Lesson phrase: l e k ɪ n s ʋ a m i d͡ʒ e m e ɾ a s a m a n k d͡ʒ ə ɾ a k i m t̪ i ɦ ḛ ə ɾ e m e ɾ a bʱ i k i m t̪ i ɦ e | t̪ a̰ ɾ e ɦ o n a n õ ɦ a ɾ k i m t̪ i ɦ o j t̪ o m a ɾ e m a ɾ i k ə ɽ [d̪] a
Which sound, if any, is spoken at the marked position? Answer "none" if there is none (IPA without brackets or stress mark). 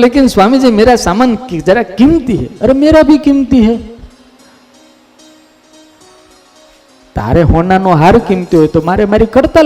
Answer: t̪